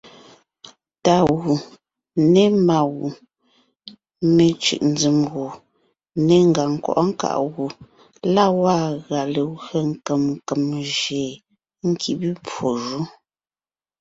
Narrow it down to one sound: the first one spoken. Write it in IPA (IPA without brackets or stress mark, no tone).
t